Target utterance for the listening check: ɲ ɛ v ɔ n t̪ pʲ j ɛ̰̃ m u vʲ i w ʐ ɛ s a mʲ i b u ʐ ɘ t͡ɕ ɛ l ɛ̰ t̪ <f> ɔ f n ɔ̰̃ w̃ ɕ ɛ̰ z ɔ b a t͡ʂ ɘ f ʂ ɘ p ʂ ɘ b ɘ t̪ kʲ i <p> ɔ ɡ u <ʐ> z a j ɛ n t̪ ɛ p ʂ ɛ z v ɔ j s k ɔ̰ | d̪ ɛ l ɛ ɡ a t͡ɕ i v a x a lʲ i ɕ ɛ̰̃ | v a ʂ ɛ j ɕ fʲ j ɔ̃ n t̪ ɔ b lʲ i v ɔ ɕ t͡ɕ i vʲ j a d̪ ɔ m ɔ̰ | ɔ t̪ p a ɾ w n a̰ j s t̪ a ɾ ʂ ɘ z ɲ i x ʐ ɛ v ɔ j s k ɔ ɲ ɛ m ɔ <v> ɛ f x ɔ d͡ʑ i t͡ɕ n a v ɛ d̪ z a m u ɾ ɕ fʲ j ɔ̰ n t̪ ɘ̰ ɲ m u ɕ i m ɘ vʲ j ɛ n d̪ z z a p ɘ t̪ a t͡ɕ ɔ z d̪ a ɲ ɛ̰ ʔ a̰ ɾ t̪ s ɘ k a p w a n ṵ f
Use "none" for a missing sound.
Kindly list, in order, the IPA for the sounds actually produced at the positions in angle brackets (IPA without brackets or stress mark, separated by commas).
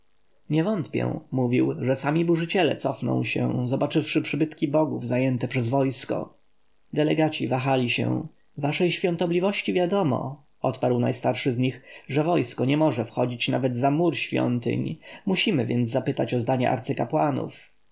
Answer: s, b, v, ʐ